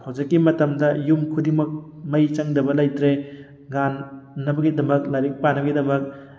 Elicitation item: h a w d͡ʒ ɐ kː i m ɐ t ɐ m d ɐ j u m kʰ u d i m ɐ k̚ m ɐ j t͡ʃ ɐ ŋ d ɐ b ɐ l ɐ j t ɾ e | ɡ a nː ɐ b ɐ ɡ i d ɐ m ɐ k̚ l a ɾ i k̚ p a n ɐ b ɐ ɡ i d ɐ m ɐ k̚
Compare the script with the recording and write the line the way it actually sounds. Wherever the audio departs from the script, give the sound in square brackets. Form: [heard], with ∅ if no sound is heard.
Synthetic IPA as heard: h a w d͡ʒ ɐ kː i m ɐ t ɐ m d ɐ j u m kʰ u d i m ɐ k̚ m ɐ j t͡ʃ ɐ ŋ d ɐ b ɐ l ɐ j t ɾ e | ɡ a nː ɐ b ɐ ɡ i d ɐ m ɐ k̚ l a ɾ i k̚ p a n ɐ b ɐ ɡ i d ɐ m ɐ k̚

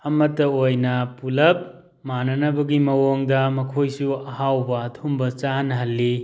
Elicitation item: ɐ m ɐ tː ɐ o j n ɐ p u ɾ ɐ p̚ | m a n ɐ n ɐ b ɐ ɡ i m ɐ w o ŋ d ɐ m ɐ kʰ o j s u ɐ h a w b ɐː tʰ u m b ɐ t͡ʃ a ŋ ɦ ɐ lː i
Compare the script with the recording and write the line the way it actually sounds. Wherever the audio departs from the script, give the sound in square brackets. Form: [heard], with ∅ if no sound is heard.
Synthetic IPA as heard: ɐ m ɐ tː ɐ o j n ɐ p u [l] ɐ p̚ | m a n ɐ n ɐ b ɐ ɡ i m ɐ w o ŋ d ɐ m ɐ kʰ o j s u ɐ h a w b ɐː tʰ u m b ɐ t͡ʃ a [n] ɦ ɐ lː i

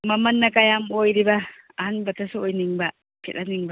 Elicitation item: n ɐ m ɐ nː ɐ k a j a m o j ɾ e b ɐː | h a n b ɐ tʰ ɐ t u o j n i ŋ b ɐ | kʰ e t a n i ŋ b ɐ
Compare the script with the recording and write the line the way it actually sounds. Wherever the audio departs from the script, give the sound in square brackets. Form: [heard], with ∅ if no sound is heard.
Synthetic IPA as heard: [m] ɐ m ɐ nː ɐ k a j a m o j ɾ [i] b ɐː | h a n b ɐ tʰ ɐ [s] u o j n i ŋ b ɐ | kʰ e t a n i ŋ b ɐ

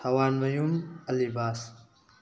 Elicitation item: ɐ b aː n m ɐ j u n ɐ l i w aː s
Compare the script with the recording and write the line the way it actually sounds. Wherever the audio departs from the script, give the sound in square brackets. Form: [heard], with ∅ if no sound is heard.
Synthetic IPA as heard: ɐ [w] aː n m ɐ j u [m] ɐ l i [b] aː s

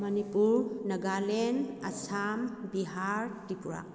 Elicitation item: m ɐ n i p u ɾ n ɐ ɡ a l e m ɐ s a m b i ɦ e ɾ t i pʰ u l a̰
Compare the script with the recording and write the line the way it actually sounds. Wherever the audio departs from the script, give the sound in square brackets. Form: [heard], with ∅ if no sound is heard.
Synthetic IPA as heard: m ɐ n i p u ɾ n ɐ ɡ a l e [n] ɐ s a m b i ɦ [a] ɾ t i [p] u [ɾ] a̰

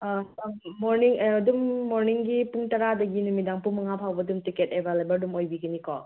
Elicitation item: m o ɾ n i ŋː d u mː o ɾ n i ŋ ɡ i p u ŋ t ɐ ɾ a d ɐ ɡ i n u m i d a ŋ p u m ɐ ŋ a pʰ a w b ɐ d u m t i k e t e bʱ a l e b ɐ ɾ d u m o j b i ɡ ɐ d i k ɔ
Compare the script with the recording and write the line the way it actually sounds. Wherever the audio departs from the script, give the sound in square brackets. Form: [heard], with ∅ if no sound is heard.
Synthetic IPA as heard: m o ɾ n i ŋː d u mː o ɾ n i ŋ ɡ i p u ŋ t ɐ ɾ a d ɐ ɡ i n u m i d a ŋ p u m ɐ ŋ a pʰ a w b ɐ d u m t i k e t e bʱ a l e b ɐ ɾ d u m o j b i ɡ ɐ [n] i k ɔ

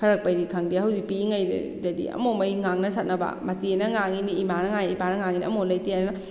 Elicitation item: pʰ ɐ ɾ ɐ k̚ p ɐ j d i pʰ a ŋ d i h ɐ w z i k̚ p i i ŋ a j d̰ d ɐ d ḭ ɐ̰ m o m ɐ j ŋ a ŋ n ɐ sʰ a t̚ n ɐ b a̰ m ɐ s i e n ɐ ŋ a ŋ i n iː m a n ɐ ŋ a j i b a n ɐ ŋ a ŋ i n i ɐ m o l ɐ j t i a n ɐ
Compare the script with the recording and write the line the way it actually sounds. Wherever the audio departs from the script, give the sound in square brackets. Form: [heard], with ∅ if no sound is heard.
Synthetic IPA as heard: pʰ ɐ ɾ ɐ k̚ p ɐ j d i [kʰ] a ŋ d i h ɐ w z i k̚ p i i ŋ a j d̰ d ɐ d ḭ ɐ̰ m o m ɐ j ŋ a ŋ n ɐ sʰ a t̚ n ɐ b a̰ m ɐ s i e n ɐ ŋ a ŋ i n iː m a n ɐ ŋ a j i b a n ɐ ŋ a ŋ i n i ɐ m o l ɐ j t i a n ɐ

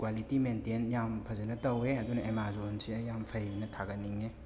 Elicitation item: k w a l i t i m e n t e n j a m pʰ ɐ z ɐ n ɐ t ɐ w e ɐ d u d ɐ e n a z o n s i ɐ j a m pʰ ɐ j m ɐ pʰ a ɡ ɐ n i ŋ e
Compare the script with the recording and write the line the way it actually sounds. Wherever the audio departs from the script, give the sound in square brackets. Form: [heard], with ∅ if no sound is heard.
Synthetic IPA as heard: k w a l i t i m e n t e n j a m pʰ ɐ z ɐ n ɐ t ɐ w e ɐ d u [n] ɐ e [m] a z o n s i ɐ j a m pʰ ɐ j [n] ɐ [tʰ] a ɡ ɐ n i ŋ e

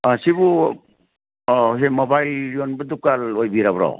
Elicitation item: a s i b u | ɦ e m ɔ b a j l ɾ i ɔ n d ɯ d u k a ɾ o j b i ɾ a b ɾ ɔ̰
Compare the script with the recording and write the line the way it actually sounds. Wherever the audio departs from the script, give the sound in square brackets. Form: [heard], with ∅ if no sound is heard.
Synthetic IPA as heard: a s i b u | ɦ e m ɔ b a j l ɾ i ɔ n [b] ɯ d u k a [l] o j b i ɾ a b ɾ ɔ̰

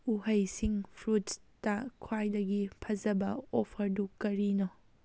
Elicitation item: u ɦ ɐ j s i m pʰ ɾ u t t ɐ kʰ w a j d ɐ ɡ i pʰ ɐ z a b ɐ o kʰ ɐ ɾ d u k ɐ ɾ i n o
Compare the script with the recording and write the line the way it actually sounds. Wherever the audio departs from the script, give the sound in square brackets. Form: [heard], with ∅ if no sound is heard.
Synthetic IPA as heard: u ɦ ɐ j s i [ŋ] pʰ ɾ u t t ɐ kʰ w a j d ɐ ɡ i pʰ ɐ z [ɐ] b ɐ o [pʰ] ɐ ɾ d u k ɐ ɾ i n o

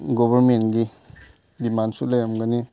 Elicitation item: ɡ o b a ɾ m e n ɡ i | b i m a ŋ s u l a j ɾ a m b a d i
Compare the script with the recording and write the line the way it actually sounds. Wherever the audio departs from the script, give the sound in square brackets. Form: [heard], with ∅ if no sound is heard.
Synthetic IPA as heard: ɡ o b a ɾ m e n ɡ i | [d] i m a [n] s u l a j ɾ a m [ɡ] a [n] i

